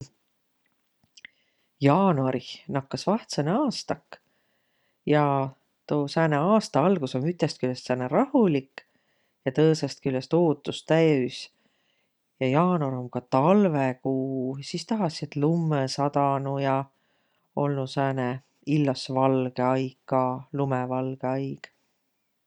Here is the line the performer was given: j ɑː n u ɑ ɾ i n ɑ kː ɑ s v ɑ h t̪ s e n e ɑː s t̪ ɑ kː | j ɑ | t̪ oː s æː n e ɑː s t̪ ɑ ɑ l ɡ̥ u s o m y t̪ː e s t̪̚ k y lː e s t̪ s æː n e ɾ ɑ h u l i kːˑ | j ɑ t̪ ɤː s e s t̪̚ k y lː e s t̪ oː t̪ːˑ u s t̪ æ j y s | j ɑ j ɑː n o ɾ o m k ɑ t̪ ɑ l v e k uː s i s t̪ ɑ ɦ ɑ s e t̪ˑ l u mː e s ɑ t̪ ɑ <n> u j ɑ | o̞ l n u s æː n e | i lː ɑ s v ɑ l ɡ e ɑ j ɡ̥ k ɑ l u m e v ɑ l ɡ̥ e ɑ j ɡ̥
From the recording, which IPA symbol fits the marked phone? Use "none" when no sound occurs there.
n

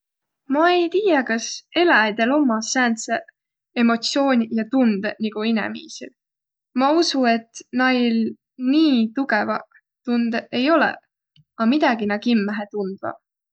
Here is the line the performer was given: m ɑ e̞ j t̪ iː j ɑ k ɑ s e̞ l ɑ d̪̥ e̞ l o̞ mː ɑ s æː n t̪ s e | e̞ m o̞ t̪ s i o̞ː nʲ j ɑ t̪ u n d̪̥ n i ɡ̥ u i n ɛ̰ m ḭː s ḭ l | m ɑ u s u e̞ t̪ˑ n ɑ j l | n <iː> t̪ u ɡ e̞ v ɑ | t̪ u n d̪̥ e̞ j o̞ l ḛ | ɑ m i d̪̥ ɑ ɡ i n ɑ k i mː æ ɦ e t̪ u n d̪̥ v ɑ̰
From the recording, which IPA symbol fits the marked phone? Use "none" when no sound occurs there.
iː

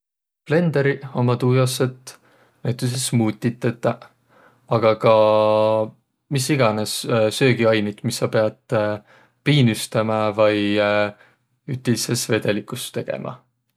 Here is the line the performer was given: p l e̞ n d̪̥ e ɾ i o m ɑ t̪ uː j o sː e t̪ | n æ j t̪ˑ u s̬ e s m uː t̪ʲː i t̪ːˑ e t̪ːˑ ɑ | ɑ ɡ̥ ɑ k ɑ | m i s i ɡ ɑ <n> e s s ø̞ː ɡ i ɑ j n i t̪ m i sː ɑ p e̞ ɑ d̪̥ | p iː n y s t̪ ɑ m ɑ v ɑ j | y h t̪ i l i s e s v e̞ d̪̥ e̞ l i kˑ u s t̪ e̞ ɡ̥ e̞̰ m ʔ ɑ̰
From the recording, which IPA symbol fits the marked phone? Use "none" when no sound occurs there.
n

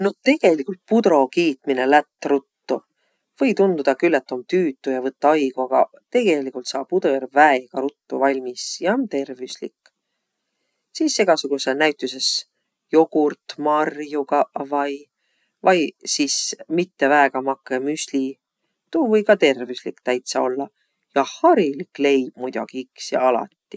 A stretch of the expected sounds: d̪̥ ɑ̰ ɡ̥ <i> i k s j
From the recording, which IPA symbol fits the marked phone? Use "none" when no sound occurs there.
i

